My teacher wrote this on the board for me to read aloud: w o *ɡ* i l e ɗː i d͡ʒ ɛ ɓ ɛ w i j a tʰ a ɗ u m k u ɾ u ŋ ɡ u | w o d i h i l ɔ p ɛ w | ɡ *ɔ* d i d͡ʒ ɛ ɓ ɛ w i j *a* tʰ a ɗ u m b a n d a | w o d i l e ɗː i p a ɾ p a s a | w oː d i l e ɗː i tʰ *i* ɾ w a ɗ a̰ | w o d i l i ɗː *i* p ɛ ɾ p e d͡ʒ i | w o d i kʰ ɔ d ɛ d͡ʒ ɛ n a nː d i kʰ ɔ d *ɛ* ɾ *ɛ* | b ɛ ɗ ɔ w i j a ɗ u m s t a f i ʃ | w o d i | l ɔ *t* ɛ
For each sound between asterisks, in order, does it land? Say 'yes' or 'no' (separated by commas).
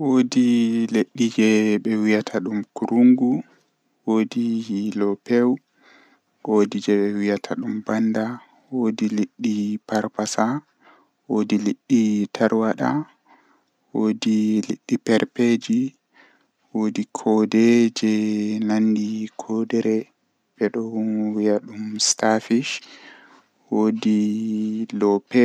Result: no, no, yes, no, yes, yes, yes, no